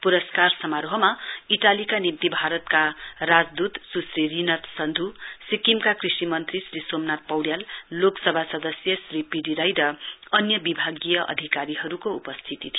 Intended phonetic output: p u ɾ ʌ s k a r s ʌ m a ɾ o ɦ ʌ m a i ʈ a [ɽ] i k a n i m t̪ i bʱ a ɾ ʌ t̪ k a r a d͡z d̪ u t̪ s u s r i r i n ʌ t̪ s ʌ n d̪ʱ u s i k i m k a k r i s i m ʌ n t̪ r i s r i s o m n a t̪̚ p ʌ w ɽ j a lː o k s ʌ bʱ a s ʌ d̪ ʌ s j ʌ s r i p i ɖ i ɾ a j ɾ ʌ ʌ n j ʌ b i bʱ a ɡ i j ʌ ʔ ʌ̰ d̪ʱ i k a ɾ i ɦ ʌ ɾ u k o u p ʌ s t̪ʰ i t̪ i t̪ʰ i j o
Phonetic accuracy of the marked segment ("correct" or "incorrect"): incorrect